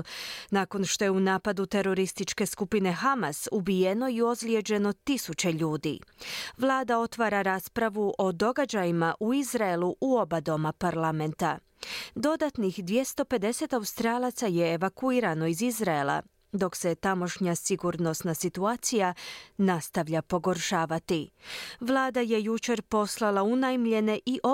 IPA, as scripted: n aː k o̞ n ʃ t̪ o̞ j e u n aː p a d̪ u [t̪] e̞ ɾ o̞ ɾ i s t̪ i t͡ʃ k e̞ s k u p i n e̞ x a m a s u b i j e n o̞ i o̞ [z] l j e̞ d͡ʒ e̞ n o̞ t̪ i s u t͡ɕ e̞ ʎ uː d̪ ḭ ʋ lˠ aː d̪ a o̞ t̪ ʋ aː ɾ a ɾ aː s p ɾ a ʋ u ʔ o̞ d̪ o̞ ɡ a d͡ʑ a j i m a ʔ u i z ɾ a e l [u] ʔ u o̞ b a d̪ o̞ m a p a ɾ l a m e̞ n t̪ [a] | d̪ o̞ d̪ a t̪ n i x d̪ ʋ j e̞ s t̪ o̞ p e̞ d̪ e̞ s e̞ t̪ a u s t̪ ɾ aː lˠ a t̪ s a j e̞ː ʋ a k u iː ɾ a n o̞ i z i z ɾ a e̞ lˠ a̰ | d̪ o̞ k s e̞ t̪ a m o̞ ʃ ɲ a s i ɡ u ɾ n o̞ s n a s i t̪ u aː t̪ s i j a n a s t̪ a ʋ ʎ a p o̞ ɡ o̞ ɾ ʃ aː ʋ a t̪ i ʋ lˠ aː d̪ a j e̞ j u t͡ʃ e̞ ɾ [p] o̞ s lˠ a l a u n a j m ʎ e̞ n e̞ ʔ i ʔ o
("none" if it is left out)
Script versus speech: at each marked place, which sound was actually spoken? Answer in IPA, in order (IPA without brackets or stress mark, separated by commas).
t̪, z, u, a, p